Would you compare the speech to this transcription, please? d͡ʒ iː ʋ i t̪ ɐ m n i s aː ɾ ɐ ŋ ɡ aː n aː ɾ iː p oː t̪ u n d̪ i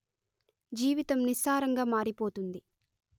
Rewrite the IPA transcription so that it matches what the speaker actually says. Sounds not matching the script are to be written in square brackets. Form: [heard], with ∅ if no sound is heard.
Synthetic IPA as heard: d͡ʒ iː ʋ i t̪ ɐ m n i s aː ɾ ɐ ŋ ɡ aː [m] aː ɾ [i] p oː t̪ u n d̪ i